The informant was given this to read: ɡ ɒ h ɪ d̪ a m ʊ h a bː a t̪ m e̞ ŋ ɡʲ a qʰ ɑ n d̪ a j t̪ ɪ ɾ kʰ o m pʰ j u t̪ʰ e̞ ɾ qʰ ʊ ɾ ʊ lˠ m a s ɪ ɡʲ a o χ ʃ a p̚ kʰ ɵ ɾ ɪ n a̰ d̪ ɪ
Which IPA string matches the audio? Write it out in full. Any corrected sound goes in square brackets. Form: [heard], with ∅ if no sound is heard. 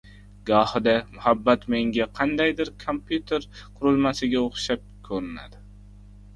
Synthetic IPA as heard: ɡ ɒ h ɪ d̪ a m ʊ h a bː a t̪ m e̞ ŋ ɡʲ a qʰ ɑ n d̪ a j [d̪] ɪ ɾ kʰ o m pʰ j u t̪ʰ e̞ ɾ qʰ ʊ ɾ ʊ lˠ m a s ɪ ɡʲ a o χ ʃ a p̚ kʰ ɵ ɾ ɪ n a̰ d̪ ɪ